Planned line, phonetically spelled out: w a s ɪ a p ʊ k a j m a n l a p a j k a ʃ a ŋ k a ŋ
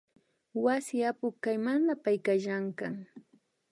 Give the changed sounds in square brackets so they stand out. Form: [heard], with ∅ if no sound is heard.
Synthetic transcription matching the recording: w a s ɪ a p ʊ k a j m a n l a p a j k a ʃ a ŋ k a ŋ